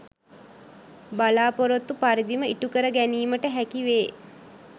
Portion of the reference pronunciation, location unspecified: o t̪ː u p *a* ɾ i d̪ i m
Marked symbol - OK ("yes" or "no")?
yes